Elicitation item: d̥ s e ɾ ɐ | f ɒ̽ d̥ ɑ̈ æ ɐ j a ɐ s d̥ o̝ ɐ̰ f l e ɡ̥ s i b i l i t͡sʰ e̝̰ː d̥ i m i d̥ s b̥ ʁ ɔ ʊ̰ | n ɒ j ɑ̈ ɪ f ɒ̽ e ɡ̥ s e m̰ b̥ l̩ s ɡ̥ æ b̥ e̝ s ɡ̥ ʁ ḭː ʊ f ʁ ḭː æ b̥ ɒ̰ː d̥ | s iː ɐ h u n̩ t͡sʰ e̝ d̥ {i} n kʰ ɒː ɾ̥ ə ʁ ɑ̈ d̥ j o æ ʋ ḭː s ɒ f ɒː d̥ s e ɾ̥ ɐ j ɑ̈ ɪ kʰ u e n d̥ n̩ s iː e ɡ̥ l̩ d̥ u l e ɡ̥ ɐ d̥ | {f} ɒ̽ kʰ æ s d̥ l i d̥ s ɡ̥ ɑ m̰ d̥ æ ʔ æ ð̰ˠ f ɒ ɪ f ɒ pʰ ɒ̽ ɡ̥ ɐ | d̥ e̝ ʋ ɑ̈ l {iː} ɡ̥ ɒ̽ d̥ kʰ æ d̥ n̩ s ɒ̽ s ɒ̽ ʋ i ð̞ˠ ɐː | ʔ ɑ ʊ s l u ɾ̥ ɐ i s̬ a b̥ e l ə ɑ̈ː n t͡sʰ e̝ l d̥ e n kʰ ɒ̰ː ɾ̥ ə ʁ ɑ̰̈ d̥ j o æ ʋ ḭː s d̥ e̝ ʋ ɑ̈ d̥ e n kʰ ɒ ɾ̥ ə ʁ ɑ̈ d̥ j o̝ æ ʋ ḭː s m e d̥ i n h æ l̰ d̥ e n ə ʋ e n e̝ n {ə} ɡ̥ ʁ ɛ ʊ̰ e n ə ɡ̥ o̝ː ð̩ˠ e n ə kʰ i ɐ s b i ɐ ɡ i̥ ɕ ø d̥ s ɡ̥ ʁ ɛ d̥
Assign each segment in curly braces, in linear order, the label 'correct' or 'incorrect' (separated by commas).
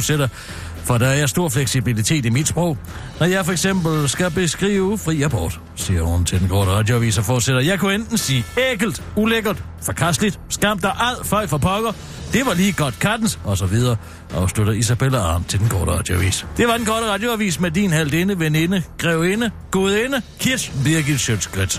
incorrect, correct, correct, correct